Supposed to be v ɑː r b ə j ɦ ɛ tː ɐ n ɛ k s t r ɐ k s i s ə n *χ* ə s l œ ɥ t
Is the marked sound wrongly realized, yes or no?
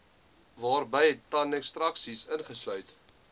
no